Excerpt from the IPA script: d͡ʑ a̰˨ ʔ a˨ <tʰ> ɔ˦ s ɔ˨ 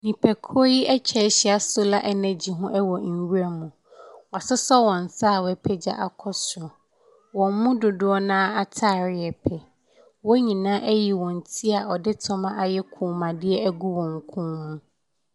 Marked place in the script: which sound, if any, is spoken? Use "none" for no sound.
kʰ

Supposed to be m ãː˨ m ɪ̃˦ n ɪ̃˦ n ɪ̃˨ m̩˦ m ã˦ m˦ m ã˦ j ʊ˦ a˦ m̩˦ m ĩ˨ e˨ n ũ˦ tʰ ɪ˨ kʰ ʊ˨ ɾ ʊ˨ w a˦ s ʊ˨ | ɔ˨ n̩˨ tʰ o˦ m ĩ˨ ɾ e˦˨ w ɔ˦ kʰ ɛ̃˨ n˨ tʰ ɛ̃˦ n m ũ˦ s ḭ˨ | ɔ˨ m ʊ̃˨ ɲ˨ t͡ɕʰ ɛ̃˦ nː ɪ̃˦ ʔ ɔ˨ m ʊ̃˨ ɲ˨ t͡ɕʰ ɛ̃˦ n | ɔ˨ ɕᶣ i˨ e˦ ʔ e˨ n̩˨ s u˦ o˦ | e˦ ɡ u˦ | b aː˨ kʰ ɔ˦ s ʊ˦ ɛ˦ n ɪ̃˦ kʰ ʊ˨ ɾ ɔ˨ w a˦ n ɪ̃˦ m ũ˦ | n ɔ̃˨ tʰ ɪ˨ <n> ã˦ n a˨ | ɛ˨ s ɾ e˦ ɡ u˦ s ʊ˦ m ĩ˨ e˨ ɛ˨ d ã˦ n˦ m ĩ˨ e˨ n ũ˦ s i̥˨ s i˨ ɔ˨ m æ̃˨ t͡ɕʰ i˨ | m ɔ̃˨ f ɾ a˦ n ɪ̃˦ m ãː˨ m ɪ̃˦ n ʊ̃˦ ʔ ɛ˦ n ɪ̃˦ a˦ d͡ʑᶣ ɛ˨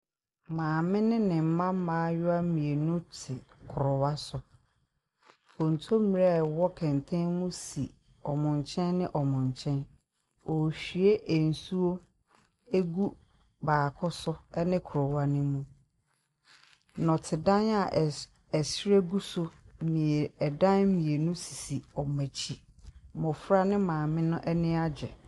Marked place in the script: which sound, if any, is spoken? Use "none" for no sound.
d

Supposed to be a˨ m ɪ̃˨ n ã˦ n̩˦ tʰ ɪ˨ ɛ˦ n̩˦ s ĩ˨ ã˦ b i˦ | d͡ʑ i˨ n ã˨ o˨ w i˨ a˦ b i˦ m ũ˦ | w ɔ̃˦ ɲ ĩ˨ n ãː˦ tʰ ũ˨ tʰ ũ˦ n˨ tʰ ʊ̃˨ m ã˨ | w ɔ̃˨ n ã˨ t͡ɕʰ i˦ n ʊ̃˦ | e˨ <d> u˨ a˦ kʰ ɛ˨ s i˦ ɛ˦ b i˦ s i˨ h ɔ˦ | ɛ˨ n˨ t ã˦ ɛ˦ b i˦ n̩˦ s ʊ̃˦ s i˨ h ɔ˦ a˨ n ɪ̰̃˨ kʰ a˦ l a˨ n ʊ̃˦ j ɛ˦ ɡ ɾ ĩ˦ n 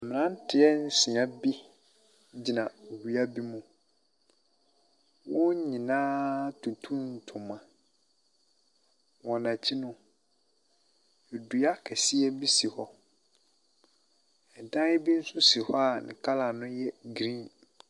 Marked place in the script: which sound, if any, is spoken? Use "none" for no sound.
d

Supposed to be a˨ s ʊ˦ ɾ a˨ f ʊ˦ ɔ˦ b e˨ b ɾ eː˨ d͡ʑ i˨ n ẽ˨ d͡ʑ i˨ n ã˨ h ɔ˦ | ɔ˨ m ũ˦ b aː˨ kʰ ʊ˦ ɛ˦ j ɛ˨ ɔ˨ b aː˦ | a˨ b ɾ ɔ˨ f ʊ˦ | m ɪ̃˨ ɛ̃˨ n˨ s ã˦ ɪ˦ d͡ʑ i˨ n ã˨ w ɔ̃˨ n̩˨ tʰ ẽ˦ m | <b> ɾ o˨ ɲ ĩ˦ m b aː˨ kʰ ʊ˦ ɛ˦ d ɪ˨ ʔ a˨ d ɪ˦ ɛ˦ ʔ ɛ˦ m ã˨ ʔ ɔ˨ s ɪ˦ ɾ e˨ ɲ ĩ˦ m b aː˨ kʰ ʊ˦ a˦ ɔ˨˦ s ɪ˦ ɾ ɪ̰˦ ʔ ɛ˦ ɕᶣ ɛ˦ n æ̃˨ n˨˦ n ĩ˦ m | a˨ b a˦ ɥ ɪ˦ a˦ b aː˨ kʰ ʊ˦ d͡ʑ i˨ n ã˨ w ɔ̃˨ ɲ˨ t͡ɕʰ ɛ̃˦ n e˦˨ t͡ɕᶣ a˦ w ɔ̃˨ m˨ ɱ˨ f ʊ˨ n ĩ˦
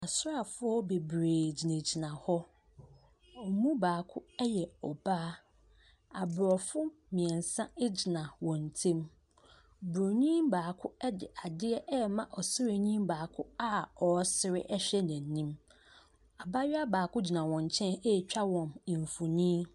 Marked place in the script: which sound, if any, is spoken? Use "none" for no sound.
b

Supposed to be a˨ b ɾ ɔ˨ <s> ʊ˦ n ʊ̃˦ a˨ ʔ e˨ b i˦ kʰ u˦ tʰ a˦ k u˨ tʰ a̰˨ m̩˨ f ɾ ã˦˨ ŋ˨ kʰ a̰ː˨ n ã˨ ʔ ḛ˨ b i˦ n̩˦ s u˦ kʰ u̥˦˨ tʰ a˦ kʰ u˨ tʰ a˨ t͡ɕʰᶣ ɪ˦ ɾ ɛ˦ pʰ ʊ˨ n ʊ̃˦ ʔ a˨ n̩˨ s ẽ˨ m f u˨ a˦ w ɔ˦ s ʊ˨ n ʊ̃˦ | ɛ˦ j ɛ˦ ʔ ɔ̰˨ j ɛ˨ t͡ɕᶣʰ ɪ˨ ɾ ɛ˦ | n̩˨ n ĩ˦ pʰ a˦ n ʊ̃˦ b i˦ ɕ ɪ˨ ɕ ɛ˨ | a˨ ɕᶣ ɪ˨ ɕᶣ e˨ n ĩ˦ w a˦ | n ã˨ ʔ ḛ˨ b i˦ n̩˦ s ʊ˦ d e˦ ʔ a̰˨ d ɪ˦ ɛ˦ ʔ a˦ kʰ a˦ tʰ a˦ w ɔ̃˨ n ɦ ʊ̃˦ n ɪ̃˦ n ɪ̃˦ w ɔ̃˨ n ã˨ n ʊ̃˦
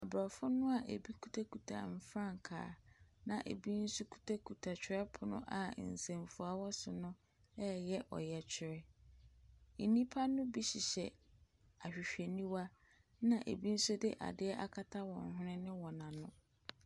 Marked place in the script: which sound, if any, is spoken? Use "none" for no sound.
f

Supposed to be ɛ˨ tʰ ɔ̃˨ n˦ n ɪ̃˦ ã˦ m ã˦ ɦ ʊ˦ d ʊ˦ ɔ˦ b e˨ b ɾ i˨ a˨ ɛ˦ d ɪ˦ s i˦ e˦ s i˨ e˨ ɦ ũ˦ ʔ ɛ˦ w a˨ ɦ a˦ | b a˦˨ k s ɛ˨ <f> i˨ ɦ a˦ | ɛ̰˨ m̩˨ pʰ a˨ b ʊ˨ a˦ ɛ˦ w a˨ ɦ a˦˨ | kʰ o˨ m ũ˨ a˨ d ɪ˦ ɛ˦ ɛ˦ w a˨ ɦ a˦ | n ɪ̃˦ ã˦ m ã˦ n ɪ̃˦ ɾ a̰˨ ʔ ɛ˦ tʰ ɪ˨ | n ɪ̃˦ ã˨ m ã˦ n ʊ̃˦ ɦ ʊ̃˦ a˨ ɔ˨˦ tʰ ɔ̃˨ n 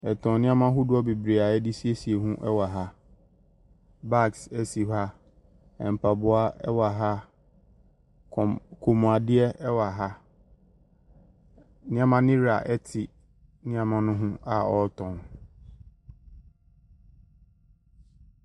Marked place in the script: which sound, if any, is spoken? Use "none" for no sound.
s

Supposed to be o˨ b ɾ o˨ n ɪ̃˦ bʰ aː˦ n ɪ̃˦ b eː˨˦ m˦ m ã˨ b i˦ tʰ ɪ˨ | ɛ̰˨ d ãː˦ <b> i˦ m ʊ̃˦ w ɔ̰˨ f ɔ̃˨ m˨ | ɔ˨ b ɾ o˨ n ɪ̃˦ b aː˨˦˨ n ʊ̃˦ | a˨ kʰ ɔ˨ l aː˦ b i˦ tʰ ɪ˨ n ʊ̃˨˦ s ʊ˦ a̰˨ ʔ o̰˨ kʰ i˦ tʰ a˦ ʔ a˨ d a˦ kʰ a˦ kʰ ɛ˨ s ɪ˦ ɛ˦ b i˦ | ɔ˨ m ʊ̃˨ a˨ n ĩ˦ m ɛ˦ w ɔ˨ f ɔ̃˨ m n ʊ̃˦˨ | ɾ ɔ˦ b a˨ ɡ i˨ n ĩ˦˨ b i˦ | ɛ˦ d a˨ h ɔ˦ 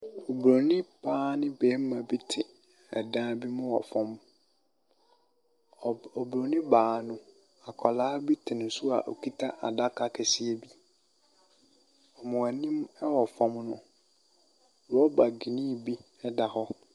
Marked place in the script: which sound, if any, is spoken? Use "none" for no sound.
b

